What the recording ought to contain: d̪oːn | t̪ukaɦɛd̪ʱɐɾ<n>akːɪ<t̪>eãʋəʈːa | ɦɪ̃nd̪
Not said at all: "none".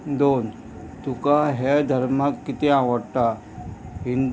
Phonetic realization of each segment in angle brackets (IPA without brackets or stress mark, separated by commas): m, t̪